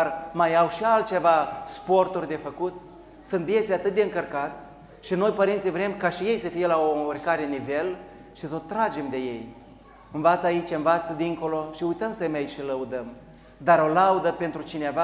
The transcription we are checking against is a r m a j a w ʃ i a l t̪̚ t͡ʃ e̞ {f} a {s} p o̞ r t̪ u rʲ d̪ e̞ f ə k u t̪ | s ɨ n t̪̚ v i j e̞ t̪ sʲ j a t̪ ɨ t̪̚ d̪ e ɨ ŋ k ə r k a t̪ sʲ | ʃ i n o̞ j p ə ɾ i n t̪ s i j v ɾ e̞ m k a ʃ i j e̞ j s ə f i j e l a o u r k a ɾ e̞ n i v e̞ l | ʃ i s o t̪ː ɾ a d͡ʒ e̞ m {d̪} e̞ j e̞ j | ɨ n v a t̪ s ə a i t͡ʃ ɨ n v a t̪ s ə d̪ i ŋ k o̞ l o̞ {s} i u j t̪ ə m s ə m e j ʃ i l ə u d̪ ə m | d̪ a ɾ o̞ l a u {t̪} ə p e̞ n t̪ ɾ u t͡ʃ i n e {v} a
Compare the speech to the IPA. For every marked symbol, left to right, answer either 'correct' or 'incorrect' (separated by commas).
incorrect, correct, correct, incorrect, incorrect, correct